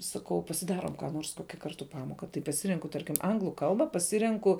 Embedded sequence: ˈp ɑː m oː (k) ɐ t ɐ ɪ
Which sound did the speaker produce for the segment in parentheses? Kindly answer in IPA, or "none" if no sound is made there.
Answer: k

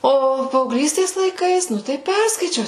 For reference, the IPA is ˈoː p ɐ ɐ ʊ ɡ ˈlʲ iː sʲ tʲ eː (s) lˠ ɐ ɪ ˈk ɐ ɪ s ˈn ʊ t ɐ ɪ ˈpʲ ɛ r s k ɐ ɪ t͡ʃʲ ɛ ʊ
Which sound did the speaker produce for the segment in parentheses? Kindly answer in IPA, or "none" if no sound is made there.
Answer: s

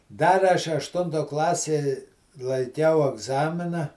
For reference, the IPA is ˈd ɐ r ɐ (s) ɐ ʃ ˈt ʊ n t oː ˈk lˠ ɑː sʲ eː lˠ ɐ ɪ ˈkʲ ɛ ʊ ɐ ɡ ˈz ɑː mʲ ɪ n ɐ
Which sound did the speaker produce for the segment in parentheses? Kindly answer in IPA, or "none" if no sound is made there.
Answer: ʃ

